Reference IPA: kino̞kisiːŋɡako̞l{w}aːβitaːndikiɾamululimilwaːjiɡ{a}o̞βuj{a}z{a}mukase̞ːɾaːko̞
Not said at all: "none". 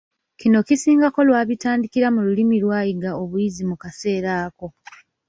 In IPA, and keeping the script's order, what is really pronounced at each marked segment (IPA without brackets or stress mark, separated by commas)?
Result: w, a, i, i